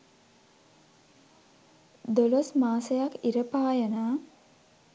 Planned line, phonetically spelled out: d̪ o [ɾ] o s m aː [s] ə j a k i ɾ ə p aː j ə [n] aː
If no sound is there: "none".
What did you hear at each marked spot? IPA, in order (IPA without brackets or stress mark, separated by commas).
l, s, n